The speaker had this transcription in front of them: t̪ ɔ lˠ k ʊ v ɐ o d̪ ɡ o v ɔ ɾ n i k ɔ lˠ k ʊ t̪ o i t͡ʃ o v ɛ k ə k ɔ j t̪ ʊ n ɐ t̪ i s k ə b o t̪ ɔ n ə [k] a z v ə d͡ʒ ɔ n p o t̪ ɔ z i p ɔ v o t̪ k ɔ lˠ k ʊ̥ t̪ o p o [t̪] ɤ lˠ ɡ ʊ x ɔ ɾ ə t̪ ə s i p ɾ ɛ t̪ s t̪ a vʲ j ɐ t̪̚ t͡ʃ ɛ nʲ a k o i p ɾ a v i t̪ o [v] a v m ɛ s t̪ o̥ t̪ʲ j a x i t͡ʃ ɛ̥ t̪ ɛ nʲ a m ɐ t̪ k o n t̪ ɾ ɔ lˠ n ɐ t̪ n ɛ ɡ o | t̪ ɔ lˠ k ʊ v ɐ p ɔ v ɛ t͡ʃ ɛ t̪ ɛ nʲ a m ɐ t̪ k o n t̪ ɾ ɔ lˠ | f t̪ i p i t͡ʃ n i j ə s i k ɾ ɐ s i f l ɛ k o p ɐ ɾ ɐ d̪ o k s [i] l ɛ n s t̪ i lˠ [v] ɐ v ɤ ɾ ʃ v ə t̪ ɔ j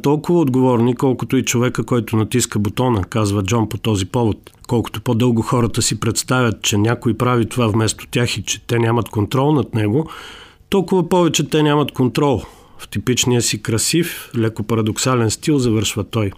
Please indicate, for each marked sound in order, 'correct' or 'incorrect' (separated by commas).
correct, incorrect, correct, incorrect, incorrect